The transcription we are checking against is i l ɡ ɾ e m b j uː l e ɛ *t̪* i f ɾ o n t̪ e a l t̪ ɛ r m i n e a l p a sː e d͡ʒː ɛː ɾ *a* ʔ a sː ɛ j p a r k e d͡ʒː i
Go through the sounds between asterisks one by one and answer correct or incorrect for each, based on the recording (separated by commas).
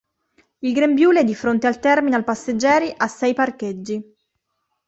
incorrect, incorrect